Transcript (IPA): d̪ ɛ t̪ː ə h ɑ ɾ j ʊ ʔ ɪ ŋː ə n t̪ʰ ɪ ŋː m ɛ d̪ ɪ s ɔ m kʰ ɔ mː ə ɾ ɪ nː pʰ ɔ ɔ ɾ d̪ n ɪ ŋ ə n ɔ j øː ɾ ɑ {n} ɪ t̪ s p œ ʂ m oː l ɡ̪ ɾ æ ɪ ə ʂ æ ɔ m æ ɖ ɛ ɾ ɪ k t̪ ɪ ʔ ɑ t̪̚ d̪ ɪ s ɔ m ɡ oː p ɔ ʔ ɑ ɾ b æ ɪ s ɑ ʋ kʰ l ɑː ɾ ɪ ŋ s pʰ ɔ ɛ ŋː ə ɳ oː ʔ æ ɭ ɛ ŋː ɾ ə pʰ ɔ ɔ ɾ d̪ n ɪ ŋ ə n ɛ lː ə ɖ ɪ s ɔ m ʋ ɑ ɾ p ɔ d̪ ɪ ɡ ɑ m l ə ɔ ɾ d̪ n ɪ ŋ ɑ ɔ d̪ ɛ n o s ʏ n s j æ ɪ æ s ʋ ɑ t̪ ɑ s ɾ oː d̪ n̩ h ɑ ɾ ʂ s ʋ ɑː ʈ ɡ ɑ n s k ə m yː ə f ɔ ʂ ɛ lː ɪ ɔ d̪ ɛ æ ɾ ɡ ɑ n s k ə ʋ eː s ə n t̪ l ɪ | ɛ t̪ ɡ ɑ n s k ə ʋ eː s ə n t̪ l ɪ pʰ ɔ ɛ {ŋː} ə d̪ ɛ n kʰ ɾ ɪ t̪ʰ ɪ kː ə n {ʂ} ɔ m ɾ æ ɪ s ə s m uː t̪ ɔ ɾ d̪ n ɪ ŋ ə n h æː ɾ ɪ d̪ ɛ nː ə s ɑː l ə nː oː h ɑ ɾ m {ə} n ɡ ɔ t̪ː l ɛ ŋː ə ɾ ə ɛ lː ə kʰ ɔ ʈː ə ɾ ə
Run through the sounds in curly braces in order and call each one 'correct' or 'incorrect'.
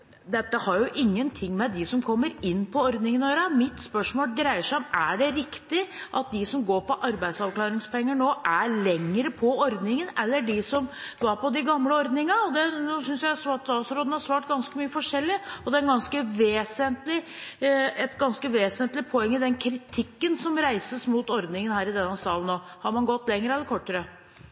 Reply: incorrect: m, correct, incorrect: s, incorrect: ɑ

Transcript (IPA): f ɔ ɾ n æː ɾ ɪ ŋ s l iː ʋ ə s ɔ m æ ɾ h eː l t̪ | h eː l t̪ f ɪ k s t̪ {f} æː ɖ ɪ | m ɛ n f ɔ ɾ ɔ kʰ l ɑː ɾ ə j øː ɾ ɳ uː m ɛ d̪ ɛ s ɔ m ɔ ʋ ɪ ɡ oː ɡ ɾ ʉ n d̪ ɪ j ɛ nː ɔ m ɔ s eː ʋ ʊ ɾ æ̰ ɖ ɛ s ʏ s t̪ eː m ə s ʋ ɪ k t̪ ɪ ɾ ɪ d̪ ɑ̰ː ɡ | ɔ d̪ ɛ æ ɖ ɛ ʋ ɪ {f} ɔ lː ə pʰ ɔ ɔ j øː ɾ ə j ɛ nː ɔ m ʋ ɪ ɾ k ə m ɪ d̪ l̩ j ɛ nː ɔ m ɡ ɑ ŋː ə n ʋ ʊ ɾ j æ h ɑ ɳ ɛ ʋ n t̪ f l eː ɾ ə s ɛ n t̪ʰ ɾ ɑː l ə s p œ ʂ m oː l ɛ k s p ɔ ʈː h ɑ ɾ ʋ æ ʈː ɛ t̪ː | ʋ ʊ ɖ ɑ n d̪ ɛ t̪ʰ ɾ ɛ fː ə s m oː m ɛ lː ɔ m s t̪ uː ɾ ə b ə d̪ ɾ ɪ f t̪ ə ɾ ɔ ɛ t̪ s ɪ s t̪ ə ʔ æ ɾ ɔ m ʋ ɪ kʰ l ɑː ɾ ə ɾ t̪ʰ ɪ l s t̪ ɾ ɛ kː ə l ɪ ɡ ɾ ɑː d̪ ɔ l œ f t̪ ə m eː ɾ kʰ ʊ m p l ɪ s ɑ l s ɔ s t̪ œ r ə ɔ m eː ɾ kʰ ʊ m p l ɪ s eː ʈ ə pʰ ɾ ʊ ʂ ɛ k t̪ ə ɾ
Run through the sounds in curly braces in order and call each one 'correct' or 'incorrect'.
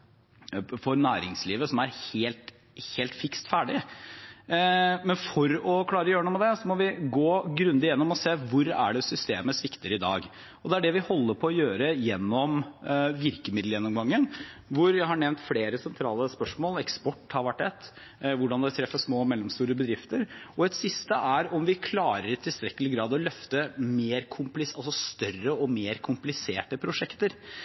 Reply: correct, incorrect: h

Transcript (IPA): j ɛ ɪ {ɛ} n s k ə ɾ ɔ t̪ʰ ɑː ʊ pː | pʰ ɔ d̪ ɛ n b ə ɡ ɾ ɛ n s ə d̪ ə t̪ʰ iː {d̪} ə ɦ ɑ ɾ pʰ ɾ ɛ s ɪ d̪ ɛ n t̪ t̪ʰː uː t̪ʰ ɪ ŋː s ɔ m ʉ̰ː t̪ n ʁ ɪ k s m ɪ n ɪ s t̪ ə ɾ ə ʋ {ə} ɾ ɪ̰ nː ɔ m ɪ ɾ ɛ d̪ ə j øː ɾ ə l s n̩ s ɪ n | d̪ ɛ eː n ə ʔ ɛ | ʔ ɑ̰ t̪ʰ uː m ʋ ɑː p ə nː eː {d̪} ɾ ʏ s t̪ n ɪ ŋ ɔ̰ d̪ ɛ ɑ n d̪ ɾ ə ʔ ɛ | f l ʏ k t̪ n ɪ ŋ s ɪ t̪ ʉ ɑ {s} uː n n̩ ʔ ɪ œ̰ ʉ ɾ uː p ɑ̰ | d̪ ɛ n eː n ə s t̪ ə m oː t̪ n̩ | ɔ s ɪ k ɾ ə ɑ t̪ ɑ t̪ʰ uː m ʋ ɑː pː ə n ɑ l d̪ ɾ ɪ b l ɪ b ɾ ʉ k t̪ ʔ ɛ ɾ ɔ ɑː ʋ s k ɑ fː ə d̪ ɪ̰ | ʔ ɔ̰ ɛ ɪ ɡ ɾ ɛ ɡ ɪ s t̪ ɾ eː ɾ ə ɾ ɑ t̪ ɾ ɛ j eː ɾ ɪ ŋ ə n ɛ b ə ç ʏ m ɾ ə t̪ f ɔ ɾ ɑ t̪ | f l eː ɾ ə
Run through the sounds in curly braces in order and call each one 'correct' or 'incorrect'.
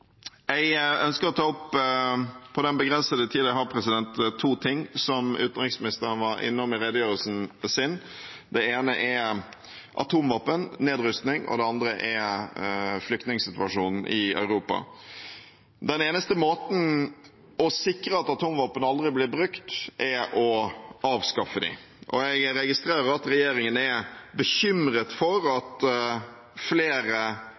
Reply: incorrect: œ, correct, incorrect: ɑ, correct, incorrect: ʂ

